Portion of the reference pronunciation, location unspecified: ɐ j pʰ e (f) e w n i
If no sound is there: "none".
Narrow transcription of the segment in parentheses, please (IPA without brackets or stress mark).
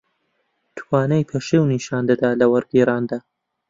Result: ʃ